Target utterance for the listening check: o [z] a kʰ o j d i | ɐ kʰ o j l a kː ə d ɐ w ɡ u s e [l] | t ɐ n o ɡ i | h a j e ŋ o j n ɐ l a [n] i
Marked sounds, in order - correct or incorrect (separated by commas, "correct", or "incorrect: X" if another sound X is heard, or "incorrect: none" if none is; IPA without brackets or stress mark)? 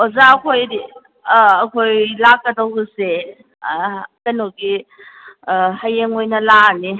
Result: correct, incorrect: none, correct